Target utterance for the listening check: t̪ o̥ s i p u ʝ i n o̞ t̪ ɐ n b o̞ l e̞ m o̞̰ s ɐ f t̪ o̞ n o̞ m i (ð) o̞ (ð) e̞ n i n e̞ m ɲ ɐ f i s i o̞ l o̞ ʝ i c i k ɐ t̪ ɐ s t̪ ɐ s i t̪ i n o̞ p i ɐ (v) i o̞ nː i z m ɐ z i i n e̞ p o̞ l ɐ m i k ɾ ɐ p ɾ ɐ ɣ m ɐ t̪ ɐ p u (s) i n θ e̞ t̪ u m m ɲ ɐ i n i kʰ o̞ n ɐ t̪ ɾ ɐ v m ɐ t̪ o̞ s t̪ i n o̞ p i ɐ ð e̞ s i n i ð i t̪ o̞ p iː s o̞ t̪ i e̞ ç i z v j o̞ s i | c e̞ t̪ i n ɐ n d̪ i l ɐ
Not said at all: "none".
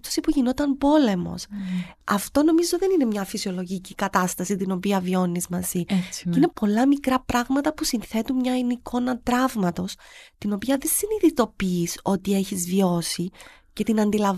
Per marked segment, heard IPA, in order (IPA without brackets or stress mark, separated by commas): z, ð, v, s